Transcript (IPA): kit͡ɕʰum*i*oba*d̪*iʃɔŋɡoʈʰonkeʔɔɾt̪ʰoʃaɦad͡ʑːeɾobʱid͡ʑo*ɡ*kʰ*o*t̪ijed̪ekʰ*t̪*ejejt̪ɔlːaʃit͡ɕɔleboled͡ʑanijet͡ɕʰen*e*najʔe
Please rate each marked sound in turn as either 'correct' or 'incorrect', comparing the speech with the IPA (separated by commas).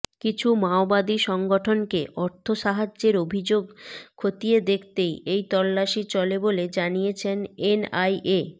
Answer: incorrect, correct, correct, correct, correct, correct